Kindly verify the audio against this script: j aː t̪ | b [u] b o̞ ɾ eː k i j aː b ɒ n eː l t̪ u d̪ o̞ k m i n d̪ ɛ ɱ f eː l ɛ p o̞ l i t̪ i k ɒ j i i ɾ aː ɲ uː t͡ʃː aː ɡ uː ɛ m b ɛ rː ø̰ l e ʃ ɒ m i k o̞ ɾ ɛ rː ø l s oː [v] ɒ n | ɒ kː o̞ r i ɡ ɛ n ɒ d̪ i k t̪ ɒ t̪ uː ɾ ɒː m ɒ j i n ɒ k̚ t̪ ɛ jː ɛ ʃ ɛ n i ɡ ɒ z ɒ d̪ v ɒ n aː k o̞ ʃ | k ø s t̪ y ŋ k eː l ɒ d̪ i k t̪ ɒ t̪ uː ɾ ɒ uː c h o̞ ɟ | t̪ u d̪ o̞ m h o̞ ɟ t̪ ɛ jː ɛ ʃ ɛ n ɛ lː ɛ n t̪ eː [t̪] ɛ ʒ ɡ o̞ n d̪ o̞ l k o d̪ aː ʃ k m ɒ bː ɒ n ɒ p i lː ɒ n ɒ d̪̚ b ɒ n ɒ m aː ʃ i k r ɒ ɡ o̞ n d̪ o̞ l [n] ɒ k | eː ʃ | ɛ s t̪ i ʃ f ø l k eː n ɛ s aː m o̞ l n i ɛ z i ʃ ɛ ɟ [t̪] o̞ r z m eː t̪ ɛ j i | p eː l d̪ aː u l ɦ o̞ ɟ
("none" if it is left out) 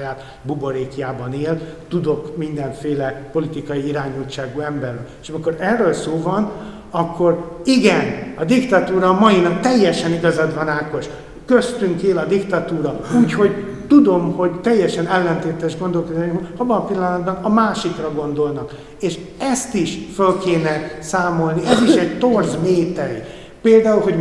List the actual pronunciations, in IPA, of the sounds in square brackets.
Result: u, v, t̪, n, t̪

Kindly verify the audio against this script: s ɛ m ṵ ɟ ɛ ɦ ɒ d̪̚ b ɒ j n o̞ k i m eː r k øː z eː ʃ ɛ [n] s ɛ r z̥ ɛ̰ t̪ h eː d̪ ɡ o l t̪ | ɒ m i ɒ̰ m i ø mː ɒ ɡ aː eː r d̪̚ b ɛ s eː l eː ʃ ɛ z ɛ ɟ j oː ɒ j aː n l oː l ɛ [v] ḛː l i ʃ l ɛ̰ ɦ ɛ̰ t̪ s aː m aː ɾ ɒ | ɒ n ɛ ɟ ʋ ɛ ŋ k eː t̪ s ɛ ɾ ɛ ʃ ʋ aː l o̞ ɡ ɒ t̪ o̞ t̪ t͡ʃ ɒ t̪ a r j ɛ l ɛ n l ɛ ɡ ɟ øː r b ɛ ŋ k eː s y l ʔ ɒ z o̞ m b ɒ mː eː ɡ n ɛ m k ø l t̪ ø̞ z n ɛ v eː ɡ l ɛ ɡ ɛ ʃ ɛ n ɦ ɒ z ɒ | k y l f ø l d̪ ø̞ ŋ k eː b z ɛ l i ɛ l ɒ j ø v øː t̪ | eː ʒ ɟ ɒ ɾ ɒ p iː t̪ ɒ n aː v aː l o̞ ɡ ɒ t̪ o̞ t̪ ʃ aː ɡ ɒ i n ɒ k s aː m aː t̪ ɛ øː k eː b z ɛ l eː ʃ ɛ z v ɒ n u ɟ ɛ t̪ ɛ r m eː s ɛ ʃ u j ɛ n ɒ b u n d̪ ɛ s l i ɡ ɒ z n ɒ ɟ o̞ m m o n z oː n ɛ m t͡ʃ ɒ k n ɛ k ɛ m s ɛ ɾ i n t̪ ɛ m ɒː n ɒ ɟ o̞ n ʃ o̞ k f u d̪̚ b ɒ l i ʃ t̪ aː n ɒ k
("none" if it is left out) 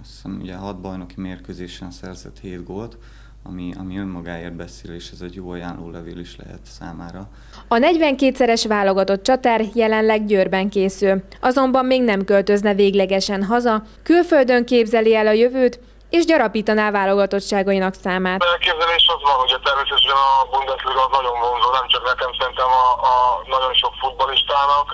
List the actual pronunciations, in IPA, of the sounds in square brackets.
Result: n, v

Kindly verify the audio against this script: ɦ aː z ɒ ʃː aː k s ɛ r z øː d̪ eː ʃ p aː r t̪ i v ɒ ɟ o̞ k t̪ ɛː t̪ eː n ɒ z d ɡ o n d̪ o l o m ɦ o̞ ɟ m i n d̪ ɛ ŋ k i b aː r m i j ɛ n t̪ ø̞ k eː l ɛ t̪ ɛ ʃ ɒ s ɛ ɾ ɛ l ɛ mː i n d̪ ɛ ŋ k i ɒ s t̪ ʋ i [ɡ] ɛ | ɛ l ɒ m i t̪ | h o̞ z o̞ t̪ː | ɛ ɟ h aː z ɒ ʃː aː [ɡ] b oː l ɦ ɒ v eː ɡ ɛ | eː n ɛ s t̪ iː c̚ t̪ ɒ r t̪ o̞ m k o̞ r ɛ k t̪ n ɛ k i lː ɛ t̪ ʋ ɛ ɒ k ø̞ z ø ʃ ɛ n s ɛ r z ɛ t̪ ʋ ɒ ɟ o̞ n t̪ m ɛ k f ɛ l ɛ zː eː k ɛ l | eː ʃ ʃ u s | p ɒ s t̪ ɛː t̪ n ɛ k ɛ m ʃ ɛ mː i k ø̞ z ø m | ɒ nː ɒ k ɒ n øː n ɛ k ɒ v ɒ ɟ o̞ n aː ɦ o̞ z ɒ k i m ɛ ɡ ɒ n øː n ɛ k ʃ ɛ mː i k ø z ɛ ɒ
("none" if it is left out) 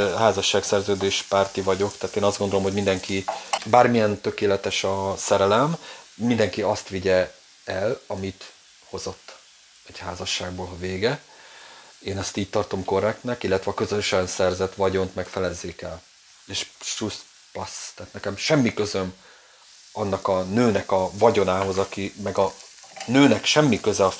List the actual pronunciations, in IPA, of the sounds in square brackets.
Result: ɟ, ɡ

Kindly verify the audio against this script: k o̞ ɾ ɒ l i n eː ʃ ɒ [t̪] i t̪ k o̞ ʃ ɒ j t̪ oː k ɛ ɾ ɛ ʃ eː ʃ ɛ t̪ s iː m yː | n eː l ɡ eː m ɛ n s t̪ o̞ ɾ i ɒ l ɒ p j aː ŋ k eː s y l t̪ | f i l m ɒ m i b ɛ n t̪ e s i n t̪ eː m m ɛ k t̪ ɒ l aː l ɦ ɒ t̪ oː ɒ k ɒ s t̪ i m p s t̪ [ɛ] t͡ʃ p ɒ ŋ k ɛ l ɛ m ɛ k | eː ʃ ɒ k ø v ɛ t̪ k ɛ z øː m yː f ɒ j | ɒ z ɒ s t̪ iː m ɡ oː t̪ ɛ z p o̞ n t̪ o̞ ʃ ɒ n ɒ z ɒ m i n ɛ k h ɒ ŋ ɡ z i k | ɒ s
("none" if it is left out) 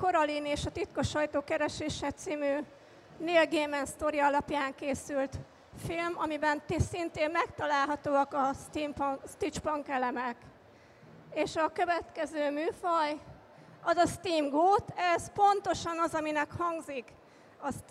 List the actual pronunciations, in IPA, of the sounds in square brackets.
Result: t̪, i

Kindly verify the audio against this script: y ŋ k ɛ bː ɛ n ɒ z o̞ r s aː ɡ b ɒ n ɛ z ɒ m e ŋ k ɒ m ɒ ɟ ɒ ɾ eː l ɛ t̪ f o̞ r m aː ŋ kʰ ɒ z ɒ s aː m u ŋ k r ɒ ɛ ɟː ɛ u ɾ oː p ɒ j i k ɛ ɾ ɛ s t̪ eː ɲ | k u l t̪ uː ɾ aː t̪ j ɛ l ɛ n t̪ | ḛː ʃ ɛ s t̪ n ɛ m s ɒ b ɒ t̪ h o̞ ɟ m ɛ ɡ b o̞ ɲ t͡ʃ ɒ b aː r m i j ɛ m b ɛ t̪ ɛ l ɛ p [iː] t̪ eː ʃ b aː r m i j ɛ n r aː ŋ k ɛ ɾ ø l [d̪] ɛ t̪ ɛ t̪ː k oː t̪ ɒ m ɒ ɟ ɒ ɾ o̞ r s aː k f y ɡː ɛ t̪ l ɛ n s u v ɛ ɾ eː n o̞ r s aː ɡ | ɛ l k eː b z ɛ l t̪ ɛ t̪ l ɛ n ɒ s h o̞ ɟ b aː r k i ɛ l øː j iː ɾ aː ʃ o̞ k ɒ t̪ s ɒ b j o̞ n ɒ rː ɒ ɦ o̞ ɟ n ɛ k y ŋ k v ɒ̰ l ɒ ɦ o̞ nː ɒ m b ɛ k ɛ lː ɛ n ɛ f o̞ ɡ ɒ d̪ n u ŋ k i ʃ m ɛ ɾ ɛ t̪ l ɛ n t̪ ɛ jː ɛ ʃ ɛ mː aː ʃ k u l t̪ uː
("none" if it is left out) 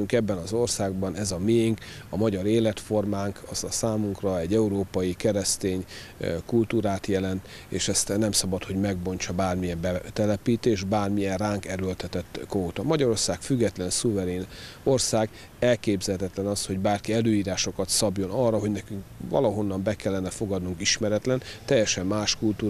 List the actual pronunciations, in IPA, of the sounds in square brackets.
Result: iː, t̪

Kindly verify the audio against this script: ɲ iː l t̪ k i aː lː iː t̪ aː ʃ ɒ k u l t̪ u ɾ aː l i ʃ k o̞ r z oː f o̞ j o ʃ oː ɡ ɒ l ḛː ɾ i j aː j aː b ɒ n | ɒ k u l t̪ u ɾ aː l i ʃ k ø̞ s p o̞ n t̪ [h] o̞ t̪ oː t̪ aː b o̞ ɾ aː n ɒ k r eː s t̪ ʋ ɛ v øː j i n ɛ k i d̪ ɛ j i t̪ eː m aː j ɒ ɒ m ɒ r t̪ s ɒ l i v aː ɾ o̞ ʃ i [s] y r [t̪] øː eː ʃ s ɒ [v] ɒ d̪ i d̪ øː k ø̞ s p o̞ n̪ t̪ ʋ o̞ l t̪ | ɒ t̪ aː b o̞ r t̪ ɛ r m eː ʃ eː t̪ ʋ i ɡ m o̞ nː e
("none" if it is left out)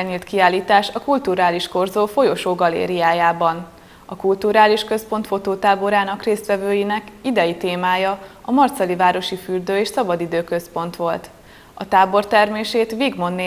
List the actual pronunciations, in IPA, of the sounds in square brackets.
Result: f, f, d̪, b

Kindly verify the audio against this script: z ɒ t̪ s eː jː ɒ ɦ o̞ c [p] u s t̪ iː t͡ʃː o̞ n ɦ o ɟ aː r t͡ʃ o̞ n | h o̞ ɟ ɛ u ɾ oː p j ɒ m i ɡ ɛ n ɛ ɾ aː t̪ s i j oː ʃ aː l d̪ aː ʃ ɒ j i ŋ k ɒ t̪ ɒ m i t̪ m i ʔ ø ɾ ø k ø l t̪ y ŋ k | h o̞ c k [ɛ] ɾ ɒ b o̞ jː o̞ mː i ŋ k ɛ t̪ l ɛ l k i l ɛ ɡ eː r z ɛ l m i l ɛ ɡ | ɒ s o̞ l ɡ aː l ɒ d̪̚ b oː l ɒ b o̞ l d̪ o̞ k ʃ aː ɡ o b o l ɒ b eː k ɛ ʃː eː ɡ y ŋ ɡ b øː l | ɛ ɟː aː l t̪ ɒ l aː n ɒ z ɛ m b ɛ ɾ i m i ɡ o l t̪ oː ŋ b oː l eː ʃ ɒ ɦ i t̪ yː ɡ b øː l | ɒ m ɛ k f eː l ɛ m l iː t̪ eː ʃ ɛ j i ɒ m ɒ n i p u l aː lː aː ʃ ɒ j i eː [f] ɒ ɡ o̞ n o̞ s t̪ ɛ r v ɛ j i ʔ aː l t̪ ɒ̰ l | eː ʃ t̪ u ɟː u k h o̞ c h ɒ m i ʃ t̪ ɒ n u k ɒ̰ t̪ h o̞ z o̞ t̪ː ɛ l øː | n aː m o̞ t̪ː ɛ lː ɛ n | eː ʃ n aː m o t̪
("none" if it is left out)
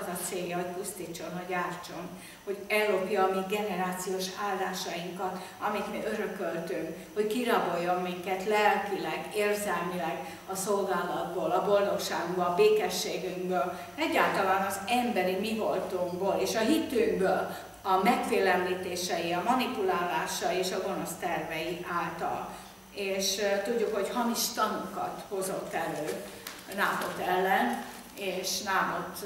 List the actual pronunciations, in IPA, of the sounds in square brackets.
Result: p, i, ʃ

